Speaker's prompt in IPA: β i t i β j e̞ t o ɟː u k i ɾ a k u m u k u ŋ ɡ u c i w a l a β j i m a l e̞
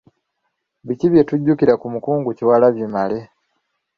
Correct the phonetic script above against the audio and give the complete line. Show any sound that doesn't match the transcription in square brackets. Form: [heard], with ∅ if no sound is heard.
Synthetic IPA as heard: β i [c] i β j e̞ t [u] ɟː u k i ɾ a k u m u k [uː] ŋ ɡ u c i w a l a β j i m a l e̞